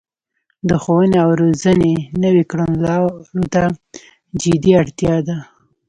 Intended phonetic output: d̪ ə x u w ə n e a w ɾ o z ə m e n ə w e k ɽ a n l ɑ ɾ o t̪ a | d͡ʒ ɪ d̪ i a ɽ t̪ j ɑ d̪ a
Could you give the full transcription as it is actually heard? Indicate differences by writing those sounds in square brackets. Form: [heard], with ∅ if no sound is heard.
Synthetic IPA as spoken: d̪ ə x [o] w ə n e a w ɾ o z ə [n] e n ə w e k ɽ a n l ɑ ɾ o t̪ a | d͡ʒ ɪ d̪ i a ɽ t̪ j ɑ d̪ a

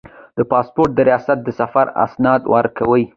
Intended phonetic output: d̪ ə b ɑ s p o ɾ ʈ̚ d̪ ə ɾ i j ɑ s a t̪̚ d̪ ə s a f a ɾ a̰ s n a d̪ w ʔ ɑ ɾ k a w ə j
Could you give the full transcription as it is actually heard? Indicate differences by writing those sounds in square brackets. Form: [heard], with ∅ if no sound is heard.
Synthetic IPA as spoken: d̪ ə [p] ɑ s p o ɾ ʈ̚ d̪ ə ɾ i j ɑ s a t̪̚ d̪ ə s a f a ɾ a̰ s n [ɑ] d̪ w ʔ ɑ ɾ k a w ə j

